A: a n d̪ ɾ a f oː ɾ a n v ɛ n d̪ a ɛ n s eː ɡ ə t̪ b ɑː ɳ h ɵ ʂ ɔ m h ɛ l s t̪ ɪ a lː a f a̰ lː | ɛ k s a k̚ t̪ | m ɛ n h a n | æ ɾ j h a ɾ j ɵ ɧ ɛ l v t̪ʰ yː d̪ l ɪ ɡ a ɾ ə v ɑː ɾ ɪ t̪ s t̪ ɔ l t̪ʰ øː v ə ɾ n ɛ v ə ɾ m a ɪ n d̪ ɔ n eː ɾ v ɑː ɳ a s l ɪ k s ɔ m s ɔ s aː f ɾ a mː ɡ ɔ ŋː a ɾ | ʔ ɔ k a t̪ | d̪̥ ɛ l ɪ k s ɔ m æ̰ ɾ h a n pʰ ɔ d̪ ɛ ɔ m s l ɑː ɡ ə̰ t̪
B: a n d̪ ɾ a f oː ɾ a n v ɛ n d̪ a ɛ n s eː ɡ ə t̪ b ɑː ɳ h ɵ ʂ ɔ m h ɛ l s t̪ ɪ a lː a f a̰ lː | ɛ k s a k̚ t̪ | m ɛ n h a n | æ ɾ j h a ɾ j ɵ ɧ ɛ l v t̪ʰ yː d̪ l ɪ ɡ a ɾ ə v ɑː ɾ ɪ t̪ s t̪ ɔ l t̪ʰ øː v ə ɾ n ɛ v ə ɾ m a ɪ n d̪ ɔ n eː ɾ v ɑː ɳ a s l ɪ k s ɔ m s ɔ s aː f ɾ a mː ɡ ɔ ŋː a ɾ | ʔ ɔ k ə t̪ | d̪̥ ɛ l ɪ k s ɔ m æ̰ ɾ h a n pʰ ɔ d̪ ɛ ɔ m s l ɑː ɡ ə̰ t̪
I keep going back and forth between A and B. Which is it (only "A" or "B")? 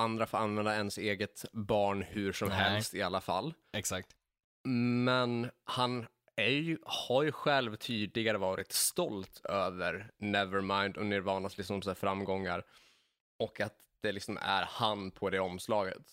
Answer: A